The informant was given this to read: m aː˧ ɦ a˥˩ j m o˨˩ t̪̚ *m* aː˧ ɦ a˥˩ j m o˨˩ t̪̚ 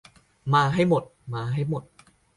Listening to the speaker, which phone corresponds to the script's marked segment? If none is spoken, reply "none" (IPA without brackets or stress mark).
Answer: m